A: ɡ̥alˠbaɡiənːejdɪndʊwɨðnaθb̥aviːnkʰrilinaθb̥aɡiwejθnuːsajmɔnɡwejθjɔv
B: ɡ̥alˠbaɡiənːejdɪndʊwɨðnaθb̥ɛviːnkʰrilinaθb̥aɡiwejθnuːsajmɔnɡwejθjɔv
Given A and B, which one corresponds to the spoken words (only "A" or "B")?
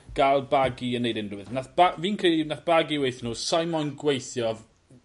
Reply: A